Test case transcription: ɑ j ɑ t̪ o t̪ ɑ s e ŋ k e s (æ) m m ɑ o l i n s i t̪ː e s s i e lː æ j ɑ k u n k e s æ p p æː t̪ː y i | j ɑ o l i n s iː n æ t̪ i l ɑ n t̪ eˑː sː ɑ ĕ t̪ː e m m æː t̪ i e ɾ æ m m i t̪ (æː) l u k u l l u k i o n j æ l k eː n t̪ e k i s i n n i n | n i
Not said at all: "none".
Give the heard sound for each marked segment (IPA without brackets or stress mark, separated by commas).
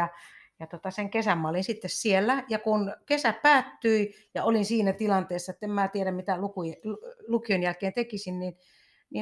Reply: æ, æ